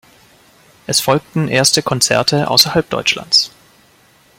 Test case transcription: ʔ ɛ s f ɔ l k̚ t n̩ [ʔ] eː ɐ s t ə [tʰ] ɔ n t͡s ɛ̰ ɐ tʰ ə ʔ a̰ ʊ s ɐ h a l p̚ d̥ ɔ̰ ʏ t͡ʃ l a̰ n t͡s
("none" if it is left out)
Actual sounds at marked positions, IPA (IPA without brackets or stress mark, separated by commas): ʔ, kʰ